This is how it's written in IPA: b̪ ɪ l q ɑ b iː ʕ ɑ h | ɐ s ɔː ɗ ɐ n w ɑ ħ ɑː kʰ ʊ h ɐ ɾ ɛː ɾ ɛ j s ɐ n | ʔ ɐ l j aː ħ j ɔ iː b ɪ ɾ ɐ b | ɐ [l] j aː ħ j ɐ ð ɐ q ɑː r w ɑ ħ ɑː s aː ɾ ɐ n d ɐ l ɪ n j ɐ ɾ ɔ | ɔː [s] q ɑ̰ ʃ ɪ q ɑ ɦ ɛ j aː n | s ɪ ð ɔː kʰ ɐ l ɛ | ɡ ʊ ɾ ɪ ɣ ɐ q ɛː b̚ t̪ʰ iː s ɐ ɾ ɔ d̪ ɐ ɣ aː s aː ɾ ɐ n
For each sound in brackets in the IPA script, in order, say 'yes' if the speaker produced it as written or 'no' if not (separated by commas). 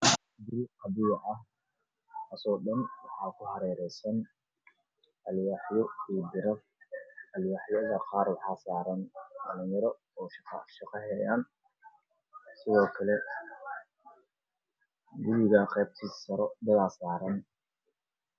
yes, no